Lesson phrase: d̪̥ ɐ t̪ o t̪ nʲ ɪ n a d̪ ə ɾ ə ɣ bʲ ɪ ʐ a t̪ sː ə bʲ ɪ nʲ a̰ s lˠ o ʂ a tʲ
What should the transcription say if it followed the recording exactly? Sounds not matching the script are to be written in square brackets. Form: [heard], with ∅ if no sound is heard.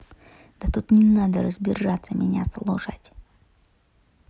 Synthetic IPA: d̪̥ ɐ t̪ [u] t̪ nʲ ɪ n a d̪ ə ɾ ə [z] bʲ ɪ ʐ a t̪ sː ə [mʲ] ɪ nʲ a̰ s lˠ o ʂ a tʲ